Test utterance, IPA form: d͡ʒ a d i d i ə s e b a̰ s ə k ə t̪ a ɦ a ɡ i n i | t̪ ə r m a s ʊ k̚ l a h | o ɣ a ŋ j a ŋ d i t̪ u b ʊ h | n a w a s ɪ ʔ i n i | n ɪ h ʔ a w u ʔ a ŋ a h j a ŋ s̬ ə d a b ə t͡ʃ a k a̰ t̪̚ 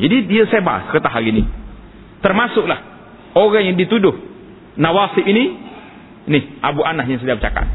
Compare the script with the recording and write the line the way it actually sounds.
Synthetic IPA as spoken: d͡ʒ a d i d i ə s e b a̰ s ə k ə t̪ a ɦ a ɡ i n i | t̪ ə r m a s ʊ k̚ l a h | o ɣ a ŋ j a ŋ d i t̪ u d ʊ h | n a w a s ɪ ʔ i n i | n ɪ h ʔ a b u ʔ a n a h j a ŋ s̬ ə d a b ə t͡ʃ a k a̰ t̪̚